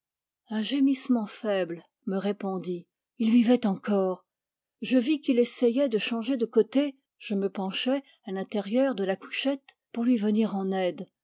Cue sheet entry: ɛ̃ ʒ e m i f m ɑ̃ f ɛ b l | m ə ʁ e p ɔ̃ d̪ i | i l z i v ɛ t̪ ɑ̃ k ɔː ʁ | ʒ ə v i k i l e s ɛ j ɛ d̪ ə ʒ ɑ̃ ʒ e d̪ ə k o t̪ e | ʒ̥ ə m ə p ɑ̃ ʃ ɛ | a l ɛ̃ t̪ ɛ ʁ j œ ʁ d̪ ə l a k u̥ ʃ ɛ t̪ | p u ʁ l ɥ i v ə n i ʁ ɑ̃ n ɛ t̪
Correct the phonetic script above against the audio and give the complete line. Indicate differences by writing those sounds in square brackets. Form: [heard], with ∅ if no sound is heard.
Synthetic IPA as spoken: ɛ̃ ʒ e m i [s] m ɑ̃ f ɛ b l | m ə ʁ e p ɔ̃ d̪ i | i l [v] i v ɛ t̪ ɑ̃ k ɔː ʁ | ʒ ə v i k i l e s ɛ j ɛ d̪ ə [ʃ] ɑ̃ ʒ e d̪ ə k o t̪ e | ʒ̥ ə m ə p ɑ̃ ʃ ɛ | a l ɛ̃ t̪ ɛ ʁ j œ ʁ d̪ ə l a k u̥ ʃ ɛ t̪ | p u ʁ l ɥ i v ə n i ʁ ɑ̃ n ɛ [d̪]